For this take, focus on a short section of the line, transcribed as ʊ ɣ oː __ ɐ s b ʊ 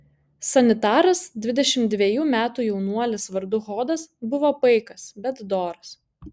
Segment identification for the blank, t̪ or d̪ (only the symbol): d̪